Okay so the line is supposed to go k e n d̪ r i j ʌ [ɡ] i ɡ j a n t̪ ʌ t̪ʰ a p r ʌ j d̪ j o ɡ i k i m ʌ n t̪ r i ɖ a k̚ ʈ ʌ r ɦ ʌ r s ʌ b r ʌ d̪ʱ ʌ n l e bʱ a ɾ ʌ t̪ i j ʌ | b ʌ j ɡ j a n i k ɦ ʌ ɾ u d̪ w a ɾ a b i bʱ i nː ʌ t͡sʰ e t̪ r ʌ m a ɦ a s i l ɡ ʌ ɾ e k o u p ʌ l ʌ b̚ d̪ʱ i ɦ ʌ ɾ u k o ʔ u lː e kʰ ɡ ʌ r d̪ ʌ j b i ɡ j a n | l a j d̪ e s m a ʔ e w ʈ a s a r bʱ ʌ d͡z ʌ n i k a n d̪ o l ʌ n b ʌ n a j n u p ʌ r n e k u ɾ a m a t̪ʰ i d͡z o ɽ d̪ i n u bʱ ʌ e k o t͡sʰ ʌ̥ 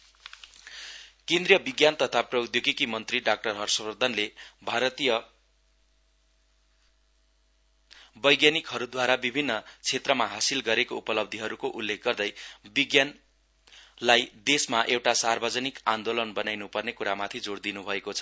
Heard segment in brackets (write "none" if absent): b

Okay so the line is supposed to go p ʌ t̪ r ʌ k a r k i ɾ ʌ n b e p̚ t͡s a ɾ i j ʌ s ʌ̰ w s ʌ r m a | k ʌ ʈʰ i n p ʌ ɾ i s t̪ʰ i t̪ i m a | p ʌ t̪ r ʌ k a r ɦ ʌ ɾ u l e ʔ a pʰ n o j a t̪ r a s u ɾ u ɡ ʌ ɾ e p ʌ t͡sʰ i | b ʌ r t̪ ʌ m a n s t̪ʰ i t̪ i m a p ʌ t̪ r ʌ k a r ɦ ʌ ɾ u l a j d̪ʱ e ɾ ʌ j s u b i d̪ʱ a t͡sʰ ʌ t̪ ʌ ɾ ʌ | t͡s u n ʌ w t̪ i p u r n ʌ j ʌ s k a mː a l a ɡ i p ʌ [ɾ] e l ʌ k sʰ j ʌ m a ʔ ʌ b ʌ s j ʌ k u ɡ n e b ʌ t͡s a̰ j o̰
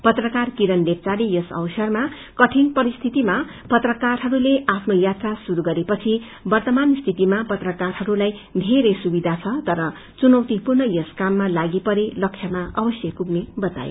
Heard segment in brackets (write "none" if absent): ɾ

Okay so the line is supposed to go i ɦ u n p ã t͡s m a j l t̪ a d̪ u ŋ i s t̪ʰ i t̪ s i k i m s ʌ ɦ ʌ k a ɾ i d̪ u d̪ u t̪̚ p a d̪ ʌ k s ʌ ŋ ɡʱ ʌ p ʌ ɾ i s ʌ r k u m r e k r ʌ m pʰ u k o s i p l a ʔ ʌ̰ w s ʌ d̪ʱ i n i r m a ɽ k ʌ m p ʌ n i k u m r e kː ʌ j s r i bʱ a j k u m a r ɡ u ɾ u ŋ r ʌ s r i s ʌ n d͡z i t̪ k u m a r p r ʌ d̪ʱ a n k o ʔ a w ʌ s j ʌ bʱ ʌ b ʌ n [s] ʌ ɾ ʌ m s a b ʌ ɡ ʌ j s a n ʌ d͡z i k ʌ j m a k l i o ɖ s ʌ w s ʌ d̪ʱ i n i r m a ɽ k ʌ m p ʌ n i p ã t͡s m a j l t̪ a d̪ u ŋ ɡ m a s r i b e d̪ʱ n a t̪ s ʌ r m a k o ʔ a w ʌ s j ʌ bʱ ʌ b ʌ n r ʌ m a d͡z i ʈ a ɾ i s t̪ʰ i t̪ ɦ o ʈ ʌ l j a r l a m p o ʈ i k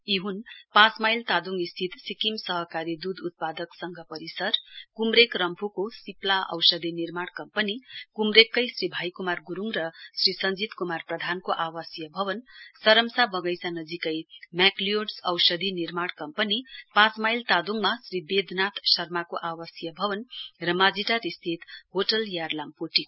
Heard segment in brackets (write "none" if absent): s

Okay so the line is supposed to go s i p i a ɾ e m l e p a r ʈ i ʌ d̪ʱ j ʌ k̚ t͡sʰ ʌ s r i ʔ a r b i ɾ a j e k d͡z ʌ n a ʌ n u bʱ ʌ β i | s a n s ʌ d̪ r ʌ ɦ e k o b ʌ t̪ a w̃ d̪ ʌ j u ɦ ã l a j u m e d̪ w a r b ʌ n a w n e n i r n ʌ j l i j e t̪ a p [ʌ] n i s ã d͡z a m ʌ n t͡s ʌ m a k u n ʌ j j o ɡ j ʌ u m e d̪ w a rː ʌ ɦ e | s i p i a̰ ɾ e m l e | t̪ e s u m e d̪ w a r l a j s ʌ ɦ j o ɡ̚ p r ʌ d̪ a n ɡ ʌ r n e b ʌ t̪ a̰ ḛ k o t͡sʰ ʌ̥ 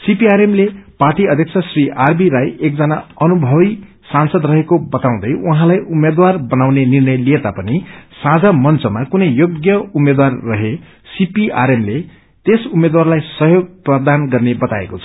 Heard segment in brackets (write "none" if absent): ʌ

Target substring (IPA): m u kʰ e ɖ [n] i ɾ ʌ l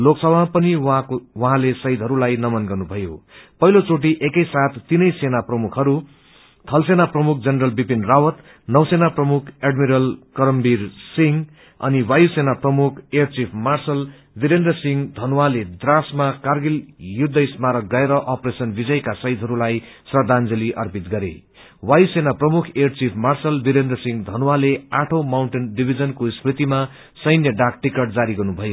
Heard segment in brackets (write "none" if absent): m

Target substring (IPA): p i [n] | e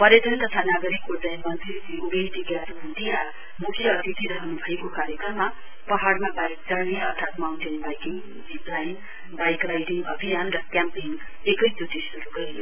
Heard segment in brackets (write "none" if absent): ŋ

